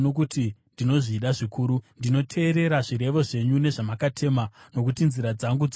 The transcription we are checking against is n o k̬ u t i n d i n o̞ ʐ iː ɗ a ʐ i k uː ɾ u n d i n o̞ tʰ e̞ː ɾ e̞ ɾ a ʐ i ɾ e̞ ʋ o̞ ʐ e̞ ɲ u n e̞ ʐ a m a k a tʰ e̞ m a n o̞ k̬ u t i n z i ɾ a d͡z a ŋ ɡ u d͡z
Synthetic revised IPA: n o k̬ u t i n d i n o̞ ʐ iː ɗ a ʐ i k uː ɾ u n d i n o̞ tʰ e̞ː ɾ e̞ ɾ a ʐ i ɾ e̞ ʋ o̞ ʐ e̞ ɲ u n e̞ ʐ a m a k a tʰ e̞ m a n o̞ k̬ u t i n z i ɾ a d͡z a ŋ ɡ u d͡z

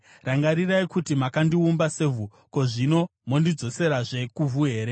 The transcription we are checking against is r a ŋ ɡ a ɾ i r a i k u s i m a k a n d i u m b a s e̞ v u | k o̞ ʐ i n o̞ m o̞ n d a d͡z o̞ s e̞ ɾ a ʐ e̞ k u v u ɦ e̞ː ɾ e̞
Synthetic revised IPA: r a ŋ ɡ a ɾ i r a i k u t i m a k a n d i u m b a s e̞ v u | k o̞ ʐ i n o̞ m o̞ n d i d͡z o̞ s e̞ ɾ a ʐ e̞ k u v u ɦ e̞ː ɾ e̞

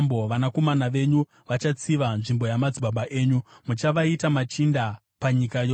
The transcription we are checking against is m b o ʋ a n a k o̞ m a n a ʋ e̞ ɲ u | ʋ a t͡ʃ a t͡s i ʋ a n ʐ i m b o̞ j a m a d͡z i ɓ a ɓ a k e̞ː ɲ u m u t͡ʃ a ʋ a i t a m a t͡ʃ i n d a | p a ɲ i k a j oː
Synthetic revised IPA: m b o ʋ a n a k o̞ m a n a ʋ e̞ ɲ u | ʋ a t͡ʃ a t͡s i ʋ a n ʐ i m b o̞ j a m a d͡z i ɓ a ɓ a ʔ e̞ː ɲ u m u t͡ʃ a ʋ a i t a m a t͡ʃ i n d a | p a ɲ i k a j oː

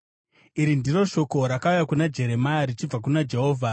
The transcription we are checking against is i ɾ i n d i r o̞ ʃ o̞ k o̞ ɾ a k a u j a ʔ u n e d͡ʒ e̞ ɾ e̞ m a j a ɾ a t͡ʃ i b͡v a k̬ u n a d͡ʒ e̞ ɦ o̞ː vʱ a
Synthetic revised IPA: i ɾ i n d i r o̞ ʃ o̞ k o̞ ɾ a k a u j a k u n a d͡ʒ e̞ ɾ e̞ m a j a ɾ i t͡ʃ i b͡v a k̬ u n a d͡ʒ e̞ ɦ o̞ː vʱ a

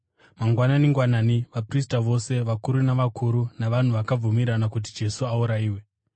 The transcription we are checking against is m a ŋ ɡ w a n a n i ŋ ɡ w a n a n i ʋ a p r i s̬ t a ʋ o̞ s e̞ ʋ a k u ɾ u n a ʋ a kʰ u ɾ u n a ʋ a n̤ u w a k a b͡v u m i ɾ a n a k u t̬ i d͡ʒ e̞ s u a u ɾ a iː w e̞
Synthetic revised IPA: m a ŋ ɡ w a n a n i ŋ ɡ w a n a n i ʋ a p r i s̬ t a ʋ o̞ s e̞ ʋ a k u ɾ u n a ʋ a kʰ u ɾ u n a ʋ a n̤ u ʋ a k a b͡v u m i ɾ a n a k u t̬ i d͡ʒ e̞ s u a u ɾ a iː w e̞

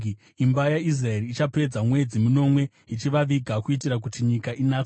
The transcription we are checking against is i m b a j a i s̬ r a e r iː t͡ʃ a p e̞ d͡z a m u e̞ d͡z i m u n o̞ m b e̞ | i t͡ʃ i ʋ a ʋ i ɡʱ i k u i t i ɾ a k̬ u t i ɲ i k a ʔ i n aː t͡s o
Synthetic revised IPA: i m b a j a i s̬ r a e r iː t͡ʃ a p e̞ d͡z a m w e̞ d͡z i m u n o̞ m w e̞ | i t͡ʃ i ʋ a ʋ i ɡʱ a k u i t i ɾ a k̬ u t i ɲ i k a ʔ i n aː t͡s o

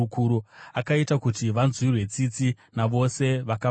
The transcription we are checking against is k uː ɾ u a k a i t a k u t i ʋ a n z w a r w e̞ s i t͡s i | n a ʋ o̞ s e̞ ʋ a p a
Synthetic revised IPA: k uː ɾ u a k a i t a k u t i ʋ a n z w i r w e̞ t͡s i t͡s i | n a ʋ o̞ s e̞ ʋ a k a

